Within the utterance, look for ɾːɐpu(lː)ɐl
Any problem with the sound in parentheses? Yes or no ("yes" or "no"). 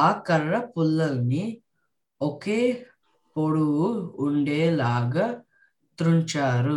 no